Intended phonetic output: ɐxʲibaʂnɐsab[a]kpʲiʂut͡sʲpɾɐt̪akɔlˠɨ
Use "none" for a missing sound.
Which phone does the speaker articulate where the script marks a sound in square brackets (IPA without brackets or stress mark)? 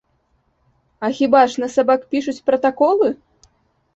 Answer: a